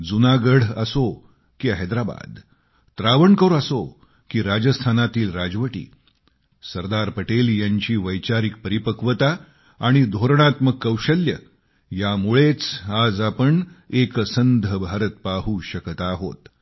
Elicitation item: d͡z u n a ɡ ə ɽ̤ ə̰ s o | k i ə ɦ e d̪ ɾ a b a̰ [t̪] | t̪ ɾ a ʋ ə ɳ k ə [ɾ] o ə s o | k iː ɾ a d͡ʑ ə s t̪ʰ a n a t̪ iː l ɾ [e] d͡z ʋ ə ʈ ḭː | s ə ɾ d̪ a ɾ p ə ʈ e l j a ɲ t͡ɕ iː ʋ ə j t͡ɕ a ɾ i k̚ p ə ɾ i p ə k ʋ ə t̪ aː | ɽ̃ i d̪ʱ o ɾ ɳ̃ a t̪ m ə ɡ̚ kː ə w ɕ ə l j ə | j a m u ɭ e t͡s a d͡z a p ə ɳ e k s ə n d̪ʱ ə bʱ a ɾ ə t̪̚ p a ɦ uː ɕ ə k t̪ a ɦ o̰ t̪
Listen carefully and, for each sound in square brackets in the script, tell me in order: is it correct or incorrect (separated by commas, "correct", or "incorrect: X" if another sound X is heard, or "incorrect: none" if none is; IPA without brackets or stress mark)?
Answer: incorrect: d̪, correct, incorrect: a